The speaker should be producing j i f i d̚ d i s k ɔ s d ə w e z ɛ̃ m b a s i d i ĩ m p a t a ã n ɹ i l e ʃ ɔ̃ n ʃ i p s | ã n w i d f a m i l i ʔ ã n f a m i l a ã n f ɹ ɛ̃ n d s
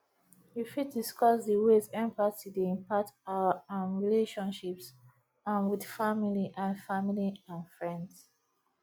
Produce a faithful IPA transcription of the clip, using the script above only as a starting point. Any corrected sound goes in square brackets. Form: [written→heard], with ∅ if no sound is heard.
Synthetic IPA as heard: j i f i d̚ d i s k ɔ s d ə w e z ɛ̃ m [b→p] a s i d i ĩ m p a t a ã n ɹ i l e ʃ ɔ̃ n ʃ i p s | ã n w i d f a m i l i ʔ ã n f a m i l [a→i] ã n f ɹ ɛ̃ n d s